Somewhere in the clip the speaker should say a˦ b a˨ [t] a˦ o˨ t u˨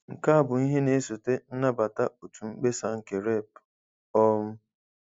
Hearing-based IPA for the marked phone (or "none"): t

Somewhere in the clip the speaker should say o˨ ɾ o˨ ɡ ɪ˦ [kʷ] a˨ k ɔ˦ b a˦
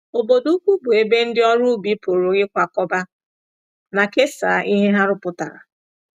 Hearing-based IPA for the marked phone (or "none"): kʷ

